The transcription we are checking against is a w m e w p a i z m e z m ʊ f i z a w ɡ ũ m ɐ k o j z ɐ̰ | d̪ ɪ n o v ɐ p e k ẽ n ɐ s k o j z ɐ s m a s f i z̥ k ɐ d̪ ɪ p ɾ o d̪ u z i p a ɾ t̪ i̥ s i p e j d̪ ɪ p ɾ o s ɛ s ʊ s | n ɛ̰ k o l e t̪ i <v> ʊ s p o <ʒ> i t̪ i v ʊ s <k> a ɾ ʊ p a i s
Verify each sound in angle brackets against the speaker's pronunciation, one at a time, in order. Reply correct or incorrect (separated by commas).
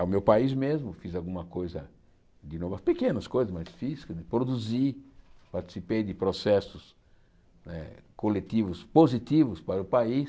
correct, incorrect, incorrect